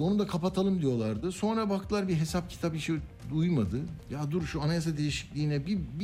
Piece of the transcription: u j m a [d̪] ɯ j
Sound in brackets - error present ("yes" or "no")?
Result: no